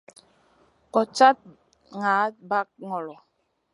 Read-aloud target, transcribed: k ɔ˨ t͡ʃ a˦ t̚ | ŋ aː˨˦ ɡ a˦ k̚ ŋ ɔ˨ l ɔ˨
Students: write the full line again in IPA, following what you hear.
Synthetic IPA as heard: k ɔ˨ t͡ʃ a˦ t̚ | ŋ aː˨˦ b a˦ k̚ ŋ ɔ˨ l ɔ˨

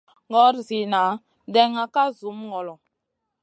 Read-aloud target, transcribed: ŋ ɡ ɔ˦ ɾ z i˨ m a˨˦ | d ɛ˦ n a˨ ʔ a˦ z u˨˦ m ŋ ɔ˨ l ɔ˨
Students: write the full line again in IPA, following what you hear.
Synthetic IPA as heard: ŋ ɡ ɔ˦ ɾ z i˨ n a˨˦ | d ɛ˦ ŋ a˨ k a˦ z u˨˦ m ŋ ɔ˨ l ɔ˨

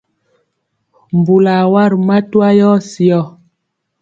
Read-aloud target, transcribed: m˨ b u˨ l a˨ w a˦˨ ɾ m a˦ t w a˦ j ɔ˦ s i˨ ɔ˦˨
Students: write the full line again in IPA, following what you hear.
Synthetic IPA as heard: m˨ b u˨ l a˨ w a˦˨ ɾ m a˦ t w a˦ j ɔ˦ s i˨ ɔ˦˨

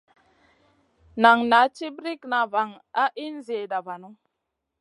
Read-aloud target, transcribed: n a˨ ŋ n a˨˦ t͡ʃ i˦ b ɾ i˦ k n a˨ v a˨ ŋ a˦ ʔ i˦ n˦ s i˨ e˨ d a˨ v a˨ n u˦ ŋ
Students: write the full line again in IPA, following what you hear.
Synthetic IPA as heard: n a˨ ŋ n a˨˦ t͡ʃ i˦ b ɾ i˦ k n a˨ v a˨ ŋ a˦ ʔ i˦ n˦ z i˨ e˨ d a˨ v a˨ n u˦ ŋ

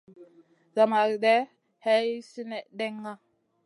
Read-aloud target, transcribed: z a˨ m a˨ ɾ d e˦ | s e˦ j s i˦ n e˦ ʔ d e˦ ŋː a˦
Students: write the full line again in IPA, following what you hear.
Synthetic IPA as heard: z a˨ m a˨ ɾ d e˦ | h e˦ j s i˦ n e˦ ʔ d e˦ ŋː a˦

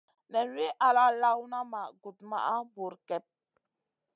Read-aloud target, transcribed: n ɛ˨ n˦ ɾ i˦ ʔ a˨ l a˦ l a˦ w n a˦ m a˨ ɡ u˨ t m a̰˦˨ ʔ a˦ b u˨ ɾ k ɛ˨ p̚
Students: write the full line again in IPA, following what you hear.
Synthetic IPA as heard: n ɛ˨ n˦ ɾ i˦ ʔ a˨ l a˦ l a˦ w n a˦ m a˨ ɡ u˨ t m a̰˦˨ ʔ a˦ b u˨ ɾ k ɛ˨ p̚

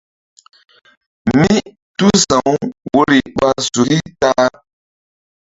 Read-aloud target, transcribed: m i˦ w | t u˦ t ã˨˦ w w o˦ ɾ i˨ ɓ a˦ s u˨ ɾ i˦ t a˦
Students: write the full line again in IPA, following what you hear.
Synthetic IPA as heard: m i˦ | t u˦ s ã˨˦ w w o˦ ɾ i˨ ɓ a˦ s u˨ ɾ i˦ t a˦

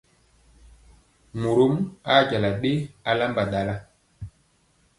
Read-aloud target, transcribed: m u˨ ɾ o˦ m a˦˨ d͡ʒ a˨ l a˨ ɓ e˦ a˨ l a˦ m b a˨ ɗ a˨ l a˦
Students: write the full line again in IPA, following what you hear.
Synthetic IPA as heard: m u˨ ɾ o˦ m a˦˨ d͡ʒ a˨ l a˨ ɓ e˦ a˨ l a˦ m b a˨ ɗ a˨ l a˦

